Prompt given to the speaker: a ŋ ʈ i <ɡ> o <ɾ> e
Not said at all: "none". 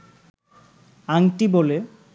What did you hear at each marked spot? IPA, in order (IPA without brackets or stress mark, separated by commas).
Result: b, l